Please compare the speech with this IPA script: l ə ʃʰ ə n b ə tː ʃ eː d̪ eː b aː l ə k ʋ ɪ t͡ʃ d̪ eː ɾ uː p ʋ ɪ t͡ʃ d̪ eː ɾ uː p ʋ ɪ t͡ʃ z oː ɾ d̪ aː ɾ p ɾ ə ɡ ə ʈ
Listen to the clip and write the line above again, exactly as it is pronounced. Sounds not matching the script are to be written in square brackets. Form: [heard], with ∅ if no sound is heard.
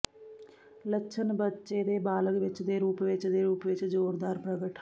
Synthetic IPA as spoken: l ə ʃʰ ə n b ə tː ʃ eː d̪ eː b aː l ə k ʋ ɪ t͡ʃ d̪ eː ɾ uː p ʋ ɪ t͡ʃ d̪ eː ɾ uː p ʋ ɪ t͡ʃ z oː ɾ d̪ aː ɾ p ɾ ə ɡ ə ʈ